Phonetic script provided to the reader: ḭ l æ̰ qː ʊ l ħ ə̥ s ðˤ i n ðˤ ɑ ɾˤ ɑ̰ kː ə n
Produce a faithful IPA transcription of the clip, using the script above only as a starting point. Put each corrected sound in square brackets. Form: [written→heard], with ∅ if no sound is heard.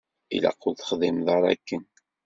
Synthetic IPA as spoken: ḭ l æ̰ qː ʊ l [ħ→θ] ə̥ [s→χ] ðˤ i [n→m] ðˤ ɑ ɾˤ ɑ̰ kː ə n